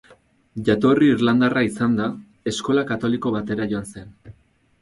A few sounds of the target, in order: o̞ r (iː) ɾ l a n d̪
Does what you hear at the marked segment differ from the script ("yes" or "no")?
no